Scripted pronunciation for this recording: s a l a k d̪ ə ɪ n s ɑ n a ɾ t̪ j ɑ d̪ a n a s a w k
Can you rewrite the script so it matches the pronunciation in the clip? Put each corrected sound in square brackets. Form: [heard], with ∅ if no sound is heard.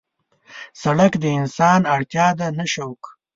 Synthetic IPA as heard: s a [ɽ] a k d̪ ə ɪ n s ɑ n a [ɽ] t̪ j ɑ d̪ a n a [ʃ] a w k